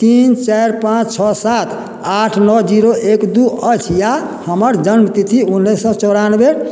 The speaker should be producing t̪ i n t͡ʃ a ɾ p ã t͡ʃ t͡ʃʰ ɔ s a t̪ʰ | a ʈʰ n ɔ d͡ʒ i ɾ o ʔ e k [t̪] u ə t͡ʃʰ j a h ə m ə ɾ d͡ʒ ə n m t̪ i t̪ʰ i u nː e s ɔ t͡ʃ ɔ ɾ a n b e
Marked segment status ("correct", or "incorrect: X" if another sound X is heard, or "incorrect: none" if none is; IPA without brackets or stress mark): incorrect: d̪